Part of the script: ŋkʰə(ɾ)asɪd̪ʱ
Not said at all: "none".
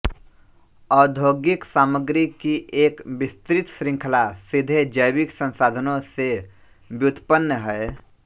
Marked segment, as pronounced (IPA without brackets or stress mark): l